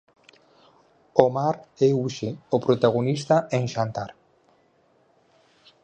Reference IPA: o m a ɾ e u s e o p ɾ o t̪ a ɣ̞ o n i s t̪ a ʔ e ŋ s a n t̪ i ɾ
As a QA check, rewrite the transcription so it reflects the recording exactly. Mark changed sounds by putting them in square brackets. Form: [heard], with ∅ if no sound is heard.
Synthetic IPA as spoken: o m a ɾ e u [ʃ] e o p ɾ o t̪ a ɣ̞ o n i s t̪ a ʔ e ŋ [ʃ] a n t̪ [a] ɾ

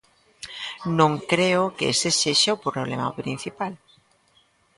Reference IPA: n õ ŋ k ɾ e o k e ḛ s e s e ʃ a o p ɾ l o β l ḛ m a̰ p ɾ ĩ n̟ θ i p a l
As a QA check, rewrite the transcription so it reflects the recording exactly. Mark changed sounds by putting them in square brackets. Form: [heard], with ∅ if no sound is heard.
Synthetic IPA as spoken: n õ ŋ k ɾ e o k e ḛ s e s e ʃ a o p ɾ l o β l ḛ m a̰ p ɾ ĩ n̟ θ i p a l

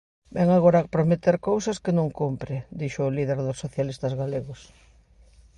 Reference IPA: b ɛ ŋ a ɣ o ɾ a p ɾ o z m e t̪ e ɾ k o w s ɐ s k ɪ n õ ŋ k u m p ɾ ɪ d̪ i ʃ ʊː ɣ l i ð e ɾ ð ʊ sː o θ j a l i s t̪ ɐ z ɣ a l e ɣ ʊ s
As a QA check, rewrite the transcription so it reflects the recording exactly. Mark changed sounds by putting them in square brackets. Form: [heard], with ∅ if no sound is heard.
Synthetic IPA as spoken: b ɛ ŋ a ɣ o ɾ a p ɾ o [∅] m e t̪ e ɾ k o w s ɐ s k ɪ n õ ŋ k u m p ɾ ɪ d̪ i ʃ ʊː [∅] l i ð e ɾ ð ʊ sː o θ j a l i s t̪ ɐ z ɣ a l e ɣ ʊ s

